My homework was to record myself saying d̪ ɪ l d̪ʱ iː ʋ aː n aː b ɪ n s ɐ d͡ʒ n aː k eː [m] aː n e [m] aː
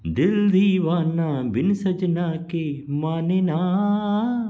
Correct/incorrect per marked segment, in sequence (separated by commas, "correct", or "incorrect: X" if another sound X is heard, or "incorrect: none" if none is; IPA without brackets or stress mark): correct, incorrect: n